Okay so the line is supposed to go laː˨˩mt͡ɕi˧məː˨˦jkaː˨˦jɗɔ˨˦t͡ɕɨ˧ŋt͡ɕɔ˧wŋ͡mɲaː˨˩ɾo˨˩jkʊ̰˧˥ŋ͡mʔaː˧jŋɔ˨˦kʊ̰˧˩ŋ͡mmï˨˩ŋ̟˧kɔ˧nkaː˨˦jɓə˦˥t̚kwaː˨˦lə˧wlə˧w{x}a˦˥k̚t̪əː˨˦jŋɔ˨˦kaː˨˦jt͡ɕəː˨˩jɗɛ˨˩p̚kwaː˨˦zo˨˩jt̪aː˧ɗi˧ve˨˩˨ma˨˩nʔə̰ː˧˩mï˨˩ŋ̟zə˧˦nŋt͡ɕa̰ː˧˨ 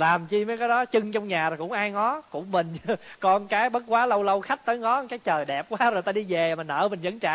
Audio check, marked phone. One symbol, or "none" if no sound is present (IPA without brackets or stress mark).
x